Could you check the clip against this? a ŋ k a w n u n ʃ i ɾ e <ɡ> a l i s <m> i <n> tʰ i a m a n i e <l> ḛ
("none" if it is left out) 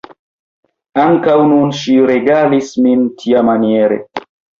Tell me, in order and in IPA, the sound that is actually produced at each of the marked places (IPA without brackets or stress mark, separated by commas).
ɡ, m, n, ɾ